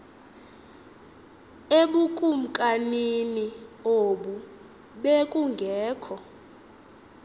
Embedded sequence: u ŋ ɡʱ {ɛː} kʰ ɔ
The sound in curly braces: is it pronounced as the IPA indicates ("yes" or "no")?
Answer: yes